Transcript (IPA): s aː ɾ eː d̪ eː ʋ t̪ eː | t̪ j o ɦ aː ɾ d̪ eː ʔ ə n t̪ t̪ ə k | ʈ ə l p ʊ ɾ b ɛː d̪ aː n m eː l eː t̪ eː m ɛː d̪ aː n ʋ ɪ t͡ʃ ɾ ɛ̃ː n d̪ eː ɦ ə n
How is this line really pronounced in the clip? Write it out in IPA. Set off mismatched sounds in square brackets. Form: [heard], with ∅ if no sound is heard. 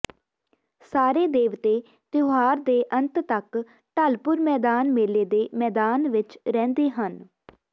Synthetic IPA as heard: s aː ɾ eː d̪ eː ʋ t̪ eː | t̪ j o ɦ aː ɾ d̪ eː ʔ ə n t̪ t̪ ə k | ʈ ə l p ʊ ɾ [m] ɛː d̪ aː n m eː l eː [d̪] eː m ɛː d̪ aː n ʋ ɪ t͡ʃ ɾ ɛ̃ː n d̪ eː ɦ ə n